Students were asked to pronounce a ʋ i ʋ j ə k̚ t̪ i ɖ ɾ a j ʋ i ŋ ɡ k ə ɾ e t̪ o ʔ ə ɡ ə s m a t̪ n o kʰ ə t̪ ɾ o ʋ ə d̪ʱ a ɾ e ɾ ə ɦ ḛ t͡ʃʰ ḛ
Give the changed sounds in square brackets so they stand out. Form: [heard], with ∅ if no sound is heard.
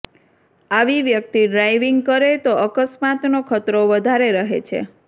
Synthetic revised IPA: a ʋ i ʋ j ə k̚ t̪ i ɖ ɾ a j ʋ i ŋ ɡ k ə ɾ e t̪ o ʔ ə [k] ə s m a t̪ n o kʰ ə t̪ ɾ o ʋ ə d̪ʱ a ɾ e ɾ ə ɦ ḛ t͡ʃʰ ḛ